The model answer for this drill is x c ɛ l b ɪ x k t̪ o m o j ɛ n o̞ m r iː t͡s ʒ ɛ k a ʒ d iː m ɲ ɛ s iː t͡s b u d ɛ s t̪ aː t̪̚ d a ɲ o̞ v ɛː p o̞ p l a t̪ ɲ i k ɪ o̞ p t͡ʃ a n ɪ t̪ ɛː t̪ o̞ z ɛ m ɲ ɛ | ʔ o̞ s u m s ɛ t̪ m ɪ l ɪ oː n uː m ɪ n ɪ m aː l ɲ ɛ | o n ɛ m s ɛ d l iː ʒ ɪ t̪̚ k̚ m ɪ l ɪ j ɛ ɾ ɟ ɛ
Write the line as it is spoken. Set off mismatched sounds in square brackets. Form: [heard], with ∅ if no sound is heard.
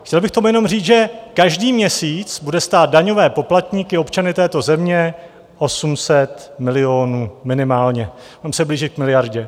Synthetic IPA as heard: x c ɛ l b ɪ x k t̪ o m [u] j ɛ n o̞ m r iː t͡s ʒ ɛ k a ʒ d iː m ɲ ɛ s iː t͡s b u d ɛ s t̪ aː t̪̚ d a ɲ o̞ v ɛː p o̞ p l a t̪ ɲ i k ɪ o̞ p t͡ʃ a n ɪ t̪ ɛː t̪ o̞ z ɛ m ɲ ɛ | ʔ o̞ s u m s ɛ t̪ m ɪ l ɪ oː n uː m ɪ n ɪ m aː l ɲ ɛ | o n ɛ m s ɛ [b] l iː ʒ ɪ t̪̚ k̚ m ɪ l ɪ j [a] ɾ ɟ ɛ